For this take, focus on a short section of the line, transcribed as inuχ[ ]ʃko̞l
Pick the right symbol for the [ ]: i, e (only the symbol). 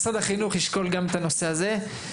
i